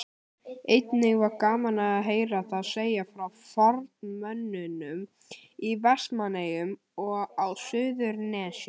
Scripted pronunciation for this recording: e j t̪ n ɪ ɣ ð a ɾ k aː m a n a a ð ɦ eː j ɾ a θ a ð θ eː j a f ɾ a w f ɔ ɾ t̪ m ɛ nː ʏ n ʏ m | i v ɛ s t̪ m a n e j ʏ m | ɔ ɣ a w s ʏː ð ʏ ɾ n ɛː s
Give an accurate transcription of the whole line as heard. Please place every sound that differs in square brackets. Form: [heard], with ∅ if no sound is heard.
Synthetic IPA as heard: e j t̪ n ɪ ɣ [v] a ɾ k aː m a n a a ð ɦ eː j ɾ a θ a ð [s] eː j a f ɾ a w f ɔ ɾ t̪ m [œ] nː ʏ n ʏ m | i v ɛ s t̪ m a n e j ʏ m | ɔ ɣ a w s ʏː ð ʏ ɾ n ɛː s

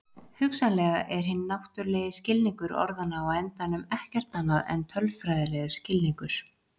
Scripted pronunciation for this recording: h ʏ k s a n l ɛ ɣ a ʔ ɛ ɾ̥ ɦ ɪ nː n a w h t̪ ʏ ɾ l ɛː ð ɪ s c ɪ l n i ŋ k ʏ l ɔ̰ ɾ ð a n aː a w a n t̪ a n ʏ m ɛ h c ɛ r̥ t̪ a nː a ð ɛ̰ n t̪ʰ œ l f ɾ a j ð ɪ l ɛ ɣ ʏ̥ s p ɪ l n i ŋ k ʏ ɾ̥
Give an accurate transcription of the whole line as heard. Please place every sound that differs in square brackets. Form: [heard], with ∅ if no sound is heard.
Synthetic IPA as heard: h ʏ k s a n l ɛ ɣ a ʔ ɛ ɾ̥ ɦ ɪ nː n a w h t̪ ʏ ɾ l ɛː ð ɪ s c ɪ l n i ŋ k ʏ [ɾ] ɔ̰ ɾ ð a n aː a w [ɛ] n t̪ a n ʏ m ɛ h c ɛ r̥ t̪ a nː a ð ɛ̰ n t̪ʰ œ l f ɾ a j ð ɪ l ɛ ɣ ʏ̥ s [c] ɪ l n i ŋ k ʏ ɾ̥

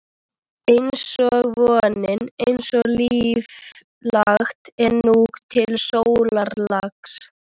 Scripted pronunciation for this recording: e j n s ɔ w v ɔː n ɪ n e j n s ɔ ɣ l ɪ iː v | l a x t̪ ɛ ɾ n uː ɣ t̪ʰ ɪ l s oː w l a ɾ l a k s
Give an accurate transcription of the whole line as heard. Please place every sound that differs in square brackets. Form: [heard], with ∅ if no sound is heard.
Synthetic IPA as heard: e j n s ɔ [ɣ] v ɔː n ɪ n e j n s ɔ ɣ l [i] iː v | l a x t̪ ɛ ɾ n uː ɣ t̪ʰ ɪ l s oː w l a ɾ l a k s

